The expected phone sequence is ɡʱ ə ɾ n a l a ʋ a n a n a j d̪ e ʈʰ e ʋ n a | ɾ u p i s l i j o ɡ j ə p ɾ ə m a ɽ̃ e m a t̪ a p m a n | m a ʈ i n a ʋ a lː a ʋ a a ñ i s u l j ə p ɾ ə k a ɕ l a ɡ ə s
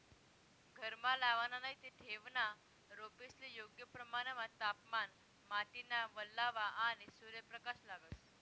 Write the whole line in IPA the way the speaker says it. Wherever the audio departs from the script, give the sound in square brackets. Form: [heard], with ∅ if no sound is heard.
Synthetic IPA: ɡʱ ə ɾ [m] a l a ʋ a n a n a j [t̪] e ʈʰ e ʋ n a | ɾ [o] p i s l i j o ɡ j ə p ɾ ə m a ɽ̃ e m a t̪ a p m a n | m a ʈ i n a ʋ [ə] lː a ʋ a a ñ i s u [ɾ] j ə p ɾ ə k a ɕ l a ɡ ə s